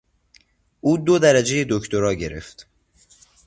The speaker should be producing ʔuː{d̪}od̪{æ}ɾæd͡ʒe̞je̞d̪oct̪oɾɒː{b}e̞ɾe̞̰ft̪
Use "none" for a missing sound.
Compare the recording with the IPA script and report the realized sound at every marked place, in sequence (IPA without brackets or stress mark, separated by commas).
d̪, æ, ɟ